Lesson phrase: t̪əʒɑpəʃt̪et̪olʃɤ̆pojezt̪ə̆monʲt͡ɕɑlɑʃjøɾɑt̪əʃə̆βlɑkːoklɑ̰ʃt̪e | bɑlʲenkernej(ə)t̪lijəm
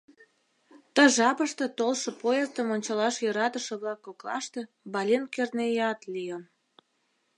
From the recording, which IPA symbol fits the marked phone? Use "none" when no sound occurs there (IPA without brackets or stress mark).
ɑ